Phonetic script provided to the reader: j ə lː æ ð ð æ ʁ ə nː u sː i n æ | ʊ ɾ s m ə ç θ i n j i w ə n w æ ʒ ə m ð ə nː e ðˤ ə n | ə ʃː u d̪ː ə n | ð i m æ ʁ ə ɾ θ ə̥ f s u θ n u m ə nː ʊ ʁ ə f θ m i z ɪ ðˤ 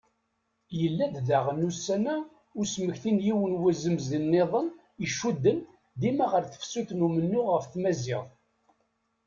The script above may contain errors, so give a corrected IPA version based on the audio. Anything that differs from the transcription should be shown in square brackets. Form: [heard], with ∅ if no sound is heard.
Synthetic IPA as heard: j ə lː æ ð ð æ ʁ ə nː u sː [æ] n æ | ʊ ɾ s m ə ç θ i n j i w ə n w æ [z] ə m [z] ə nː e ðˤ ə n | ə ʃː u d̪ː ə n | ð i m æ ʁ ə ɾ θ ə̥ f s u θ n u m ə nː ʊ ʁ ə f θ m [æ] z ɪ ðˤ